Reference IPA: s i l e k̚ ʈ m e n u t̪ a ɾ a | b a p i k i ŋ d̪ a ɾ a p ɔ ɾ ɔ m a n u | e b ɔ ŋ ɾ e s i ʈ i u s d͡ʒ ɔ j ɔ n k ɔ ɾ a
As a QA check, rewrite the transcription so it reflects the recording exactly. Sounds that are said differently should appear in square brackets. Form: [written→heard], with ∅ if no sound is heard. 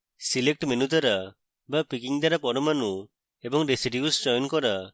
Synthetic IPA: s i l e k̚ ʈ m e n u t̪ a ɾ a | b a p i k i ŋ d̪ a ɾ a p ɔ ɾ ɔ m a n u | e b ɔ ŋ ɾ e s i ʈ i u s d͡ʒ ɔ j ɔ n k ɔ ɾ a